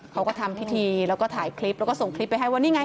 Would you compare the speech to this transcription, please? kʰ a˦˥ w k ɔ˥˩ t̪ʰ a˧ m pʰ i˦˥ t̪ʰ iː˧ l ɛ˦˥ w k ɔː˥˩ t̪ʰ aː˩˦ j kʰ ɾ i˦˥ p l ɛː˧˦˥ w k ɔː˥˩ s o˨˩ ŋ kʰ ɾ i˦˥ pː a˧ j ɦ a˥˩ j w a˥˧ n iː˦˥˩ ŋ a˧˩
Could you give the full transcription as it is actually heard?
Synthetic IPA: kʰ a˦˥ w k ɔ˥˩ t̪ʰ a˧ m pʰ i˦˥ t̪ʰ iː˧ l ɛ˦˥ w k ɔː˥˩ t̪ʰ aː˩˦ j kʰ l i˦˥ p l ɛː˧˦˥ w k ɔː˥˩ s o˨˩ ŋ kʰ l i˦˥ pː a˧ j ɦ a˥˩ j w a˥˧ n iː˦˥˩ ŋ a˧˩

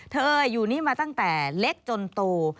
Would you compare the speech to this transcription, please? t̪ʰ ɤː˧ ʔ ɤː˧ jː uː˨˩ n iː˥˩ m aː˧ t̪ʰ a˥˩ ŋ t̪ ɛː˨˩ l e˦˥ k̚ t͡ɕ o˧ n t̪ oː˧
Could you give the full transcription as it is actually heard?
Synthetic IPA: t̪ʰ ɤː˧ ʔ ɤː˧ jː uː˨˩ n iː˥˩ m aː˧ t̪ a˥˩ ŋ t̪ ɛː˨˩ l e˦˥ k̚ t͡ɕ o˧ n t̪ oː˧

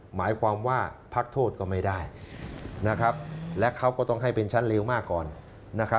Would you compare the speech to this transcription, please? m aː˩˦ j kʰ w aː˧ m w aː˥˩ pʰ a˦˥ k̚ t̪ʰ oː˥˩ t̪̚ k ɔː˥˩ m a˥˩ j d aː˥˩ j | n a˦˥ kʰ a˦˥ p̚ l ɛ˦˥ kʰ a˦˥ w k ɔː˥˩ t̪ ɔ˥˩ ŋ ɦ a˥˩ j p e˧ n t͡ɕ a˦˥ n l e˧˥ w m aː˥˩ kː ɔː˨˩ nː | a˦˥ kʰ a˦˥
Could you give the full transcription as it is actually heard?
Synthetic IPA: m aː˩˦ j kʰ w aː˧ m w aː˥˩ pʰ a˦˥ k̚ t̪ʰ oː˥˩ t̪̚ k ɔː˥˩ m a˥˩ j d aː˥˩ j | n a˦˥ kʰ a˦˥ p̚ l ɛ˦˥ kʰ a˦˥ w k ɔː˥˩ t̪ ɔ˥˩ ŋ ɦ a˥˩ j p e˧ n t͡ɕʰ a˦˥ n l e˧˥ w m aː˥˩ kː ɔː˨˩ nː | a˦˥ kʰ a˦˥

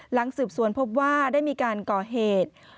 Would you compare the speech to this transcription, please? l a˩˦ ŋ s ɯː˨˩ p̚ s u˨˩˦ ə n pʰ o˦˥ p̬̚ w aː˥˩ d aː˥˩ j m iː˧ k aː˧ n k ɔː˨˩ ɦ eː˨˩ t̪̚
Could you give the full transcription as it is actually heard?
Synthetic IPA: l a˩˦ ŋ s ɯː˨˩ p̚ s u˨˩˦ ə n pʰ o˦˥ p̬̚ w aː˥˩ d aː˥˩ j m iː˧ k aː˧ n k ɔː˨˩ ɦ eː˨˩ t̪̚

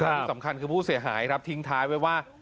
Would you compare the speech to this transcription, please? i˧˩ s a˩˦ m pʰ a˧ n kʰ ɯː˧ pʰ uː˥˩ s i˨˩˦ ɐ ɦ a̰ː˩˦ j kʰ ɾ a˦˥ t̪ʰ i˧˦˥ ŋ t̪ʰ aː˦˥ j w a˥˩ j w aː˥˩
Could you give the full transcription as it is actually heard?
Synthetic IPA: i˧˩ s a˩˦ m kʰ a˧ n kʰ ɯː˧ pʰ uː˥˩ s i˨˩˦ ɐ ɦ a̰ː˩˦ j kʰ ɾ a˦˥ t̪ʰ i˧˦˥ ŋ t̪ʰ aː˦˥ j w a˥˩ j w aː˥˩

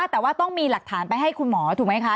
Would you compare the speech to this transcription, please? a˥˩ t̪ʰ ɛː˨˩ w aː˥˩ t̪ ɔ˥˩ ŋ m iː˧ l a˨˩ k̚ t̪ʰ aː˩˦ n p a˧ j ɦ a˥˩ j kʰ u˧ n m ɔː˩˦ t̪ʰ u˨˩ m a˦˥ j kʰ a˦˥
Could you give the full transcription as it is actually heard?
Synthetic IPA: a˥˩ t̪ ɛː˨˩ w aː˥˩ t̪ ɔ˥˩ ŋ m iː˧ l a˨˩ k̚ t̪ʰ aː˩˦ n p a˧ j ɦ a˥˩ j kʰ u˧ n m ɔː˩˦ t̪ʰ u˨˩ m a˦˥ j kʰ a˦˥

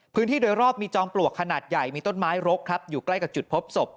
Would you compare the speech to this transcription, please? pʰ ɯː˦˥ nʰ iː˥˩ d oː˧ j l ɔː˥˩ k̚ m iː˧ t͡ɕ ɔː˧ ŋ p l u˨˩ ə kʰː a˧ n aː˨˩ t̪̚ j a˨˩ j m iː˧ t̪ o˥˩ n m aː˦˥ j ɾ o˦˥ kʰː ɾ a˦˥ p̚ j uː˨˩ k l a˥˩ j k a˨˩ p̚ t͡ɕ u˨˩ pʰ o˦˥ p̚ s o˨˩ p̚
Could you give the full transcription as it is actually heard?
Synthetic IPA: pʰ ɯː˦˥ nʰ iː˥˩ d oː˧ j ɾ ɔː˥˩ p̚ m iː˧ t͡ɕ ɔː˧ ŋ p l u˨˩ ə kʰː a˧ n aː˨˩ t̪̚ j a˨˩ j m iː˧ t̪ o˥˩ n m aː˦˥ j ɾ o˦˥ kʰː ɾ a˦˥ p̚ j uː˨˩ k l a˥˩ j k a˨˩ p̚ t͡ɕ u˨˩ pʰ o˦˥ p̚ s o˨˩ p̚

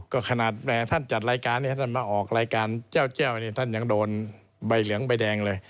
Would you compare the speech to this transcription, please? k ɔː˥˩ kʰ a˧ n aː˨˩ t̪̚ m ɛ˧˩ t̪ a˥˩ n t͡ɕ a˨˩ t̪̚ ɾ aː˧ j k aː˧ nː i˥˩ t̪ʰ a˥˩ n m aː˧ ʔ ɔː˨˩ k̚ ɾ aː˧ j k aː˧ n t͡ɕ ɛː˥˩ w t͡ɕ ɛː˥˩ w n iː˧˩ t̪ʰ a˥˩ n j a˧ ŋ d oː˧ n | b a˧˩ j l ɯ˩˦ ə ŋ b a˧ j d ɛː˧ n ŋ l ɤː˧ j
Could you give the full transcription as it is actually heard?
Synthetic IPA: k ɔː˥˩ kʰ a˧ n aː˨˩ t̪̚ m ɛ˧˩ t̪ʰ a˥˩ n t͡ɕ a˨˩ t̪̚ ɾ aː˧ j k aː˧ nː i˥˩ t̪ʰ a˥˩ n m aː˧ ʔ ɔː˨˩ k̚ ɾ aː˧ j k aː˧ n t͡ɕ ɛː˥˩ w t͡ɕ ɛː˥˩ w n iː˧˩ t̪ʰ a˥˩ n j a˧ ŋ d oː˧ n | b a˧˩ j l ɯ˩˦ ə ŋ b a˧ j d ɛː˧ ŋ l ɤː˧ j

